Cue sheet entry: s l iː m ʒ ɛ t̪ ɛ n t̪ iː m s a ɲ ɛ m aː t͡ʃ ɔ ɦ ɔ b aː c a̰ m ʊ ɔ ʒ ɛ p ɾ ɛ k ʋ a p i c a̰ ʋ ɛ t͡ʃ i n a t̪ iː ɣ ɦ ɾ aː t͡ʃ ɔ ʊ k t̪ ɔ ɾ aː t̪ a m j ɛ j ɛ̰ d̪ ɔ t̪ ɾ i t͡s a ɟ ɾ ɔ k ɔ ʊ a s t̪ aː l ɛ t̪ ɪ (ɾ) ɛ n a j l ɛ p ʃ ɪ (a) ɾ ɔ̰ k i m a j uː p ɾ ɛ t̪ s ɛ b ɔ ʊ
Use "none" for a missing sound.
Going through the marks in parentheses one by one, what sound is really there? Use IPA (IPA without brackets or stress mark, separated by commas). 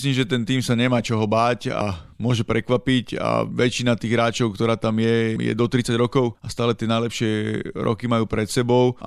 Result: none, ɛ